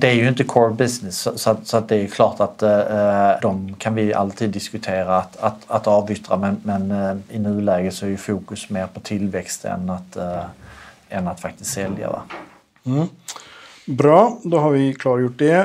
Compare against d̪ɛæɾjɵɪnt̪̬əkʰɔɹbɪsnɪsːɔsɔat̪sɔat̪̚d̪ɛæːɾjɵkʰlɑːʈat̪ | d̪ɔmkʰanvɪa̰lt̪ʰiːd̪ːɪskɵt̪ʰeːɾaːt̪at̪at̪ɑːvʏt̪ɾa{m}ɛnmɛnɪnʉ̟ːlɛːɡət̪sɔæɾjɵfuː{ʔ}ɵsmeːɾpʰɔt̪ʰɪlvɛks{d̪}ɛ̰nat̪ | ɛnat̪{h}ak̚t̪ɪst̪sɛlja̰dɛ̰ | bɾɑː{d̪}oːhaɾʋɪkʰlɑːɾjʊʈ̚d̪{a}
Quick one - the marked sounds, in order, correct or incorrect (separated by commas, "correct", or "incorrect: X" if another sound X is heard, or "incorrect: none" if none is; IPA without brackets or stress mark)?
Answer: correct, incorrect: k, incorrect: t̪, incorrect: f, correct, incorrect: ɛ